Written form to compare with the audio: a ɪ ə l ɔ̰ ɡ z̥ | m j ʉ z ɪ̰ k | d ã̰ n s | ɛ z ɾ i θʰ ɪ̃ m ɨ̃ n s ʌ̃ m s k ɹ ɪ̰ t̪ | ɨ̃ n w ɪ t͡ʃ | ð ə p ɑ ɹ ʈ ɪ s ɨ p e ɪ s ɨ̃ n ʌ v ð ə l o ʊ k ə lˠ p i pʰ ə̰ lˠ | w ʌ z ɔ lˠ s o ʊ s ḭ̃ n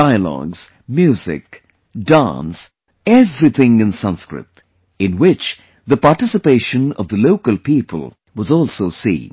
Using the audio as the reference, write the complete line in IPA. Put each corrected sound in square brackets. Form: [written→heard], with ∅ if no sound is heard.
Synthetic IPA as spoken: a ɪ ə l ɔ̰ ɡ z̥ | m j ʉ z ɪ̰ k | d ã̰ n s | ɛ [z→v] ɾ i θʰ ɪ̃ [m→ŋ] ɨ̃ n s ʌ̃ [m→n] s k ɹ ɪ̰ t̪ | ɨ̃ n w ɪ t͡ʃ | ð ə p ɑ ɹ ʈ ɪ s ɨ p e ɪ [s→ʃ] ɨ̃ n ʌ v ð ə l o ʊ k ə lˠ p i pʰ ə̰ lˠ | w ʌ z ɔ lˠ s o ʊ s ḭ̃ n